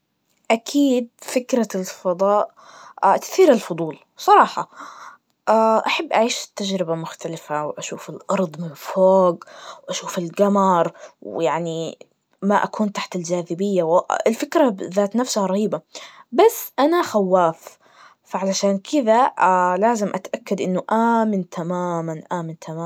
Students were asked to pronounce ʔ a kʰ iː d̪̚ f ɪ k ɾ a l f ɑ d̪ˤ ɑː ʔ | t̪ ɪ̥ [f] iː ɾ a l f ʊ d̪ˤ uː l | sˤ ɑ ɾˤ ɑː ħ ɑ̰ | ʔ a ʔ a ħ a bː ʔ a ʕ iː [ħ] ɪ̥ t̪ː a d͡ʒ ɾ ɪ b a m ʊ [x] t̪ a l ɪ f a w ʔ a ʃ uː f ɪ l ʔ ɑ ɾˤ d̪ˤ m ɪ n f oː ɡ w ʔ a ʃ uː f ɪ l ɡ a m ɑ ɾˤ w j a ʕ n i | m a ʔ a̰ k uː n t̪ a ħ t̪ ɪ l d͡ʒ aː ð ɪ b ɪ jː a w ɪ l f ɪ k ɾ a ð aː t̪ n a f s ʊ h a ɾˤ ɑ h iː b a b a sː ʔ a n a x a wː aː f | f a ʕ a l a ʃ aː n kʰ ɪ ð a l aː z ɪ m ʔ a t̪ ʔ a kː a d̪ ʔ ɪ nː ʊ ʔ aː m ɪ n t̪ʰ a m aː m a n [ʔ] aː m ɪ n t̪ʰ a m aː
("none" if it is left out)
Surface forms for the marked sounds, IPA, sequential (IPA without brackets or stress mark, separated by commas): θ, ʃ, x, ʔ